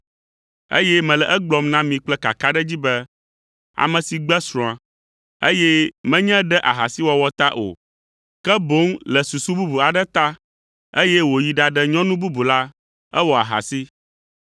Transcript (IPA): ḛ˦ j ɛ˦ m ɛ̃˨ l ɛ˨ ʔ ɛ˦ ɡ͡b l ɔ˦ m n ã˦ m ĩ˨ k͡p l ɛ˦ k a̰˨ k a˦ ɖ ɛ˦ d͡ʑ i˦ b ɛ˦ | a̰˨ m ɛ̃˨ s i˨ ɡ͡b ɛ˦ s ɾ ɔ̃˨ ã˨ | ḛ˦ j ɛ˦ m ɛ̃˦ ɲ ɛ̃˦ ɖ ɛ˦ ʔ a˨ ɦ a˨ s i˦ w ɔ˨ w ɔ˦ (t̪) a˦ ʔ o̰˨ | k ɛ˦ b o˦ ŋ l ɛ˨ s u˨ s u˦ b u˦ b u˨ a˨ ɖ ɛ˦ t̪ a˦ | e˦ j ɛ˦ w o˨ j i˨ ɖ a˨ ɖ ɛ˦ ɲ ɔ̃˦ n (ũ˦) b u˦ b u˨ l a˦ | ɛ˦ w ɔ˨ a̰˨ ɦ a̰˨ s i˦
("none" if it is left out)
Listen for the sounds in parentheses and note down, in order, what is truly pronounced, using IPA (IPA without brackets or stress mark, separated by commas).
t̪, ũ˦